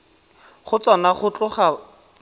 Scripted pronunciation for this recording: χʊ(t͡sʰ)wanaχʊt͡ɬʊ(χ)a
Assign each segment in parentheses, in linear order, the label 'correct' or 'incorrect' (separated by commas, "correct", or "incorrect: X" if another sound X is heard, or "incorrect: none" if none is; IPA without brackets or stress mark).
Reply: incorrect: t͡s, correct